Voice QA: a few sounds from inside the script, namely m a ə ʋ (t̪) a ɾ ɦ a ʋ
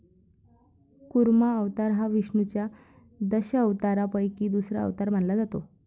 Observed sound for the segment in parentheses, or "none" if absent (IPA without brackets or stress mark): t̪